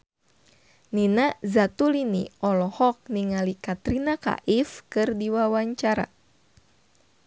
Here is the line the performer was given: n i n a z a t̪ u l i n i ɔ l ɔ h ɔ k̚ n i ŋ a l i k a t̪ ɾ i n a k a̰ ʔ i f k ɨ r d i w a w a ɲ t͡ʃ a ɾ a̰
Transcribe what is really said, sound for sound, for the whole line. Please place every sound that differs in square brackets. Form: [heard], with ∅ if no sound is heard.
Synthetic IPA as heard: n i n a z a t̪ u l i n i ɔ l ɔ h ɔ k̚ n i ŋ a l i k a t̪ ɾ i n a k a̰ ʔ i f k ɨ r d i w a w a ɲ t͡ʃ a ɾ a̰